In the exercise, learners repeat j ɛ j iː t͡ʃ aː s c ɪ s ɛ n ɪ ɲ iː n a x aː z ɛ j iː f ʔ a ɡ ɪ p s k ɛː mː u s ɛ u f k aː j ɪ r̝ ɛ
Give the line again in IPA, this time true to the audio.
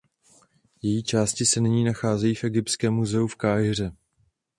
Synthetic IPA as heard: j ɛ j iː t͡ʃ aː s c ɪ s ɛ n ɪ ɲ iː n a x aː z ɛ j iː f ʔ ɛ ɡ ɪ p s k ɛː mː u z ɛ u f k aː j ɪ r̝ ɛ